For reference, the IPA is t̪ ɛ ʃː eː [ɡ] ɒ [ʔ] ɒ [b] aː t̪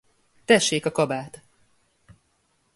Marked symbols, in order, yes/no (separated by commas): no, no, yes